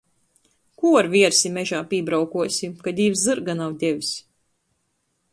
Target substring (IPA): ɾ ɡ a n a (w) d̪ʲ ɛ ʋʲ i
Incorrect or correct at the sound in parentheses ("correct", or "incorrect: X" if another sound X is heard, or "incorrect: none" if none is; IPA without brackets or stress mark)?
correct